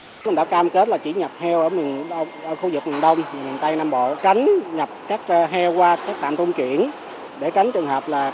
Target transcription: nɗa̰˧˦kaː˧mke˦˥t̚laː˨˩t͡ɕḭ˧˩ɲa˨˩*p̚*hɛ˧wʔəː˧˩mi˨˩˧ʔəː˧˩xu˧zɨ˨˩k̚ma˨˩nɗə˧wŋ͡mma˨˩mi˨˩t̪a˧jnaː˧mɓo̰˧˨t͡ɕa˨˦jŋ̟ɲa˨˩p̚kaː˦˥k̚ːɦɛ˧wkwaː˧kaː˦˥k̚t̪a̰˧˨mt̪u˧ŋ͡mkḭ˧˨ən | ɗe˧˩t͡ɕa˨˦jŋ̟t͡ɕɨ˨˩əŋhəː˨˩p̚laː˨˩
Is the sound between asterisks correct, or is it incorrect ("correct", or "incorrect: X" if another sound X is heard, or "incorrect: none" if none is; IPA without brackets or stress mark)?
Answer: correct